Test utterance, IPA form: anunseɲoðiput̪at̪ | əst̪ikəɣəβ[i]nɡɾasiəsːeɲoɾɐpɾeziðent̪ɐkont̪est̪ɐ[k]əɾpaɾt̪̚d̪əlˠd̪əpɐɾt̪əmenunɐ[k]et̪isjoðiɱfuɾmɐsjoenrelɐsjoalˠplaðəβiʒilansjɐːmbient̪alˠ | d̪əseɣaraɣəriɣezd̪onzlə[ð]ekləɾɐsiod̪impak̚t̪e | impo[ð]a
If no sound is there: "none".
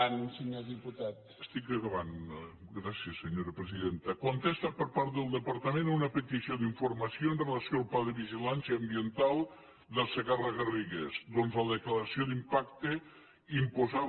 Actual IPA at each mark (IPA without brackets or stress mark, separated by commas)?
a, p, p, ð, z